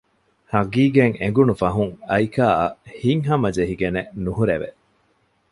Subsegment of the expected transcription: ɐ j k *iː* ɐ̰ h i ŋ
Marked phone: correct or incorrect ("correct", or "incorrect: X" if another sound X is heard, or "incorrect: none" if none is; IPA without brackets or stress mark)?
incorrect: aː